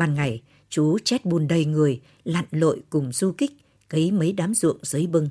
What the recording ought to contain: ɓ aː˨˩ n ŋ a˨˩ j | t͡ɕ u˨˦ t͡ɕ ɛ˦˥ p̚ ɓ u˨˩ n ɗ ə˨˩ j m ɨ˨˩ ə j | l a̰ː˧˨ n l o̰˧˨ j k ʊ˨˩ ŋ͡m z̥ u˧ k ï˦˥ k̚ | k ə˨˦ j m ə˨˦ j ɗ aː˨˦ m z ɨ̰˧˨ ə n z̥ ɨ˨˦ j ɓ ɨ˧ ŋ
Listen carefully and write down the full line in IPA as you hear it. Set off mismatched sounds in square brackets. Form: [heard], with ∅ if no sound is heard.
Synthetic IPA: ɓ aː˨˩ n ŋ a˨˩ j | t͡ɕ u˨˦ t͡ɕ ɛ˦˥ [t̚] ɓ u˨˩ n ɗ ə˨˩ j [ŋ] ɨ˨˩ ə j | l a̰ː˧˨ n l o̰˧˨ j k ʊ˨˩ ŋ͡m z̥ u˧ k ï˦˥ k̚ | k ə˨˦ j m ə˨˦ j ɗ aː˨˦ m z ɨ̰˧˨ ə [ŋ] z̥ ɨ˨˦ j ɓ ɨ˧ ŋ